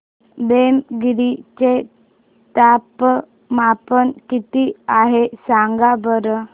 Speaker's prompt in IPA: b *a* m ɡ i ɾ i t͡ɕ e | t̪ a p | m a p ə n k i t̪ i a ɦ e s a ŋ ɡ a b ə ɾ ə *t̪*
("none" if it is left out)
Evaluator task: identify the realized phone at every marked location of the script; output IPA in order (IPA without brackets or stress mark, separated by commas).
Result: e, none